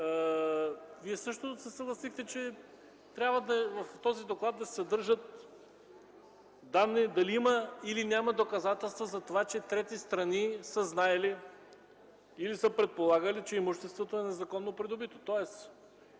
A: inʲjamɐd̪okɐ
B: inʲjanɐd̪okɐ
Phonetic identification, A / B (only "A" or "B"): A